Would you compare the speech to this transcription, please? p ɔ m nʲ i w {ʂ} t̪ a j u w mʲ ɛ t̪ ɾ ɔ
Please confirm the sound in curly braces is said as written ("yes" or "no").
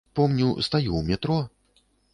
no